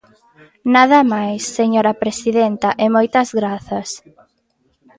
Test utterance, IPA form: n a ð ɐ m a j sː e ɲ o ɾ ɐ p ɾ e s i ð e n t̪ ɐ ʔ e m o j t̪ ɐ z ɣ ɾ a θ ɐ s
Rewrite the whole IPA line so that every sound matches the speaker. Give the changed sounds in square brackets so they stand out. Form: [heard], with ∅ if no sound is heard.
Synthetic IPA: n a ð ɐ m a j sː e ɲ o ɾ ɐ p ɾ e s i ð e n t̪ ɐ ʔ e m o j t̪ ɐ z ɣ ɾ a θ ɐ s